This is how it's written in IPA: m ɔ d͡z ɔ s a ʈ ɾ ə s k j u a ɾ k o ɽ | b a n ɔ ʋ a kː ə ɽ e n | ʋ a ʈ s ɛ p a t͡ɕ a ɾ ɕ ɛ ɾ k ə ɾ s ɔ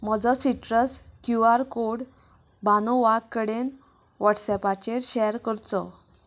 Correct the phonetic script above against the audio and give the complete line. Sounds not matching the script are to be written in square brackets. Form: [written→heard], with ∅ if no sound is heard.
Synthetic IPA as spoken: m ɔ d͡z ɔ s [a→i] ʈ ɾ ə s k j u a ɾ k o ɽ | b a n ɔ ʋ a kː ə ɽ e n | ʋ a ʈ s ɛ p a t͡ɕ [a→e] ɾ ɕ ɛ ɾ k ə ɾ [s→t͡s] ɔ